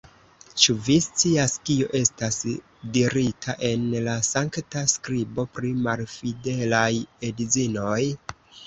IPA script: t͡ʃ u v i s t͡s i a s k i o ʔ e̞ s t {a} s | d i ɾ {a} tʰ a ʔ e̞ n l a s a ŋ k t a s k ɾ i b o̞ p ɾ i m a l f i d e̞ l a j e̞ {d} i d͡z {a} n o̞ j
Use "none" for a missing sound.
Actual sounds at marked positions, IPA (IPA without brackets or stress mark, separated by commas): a, i, d, i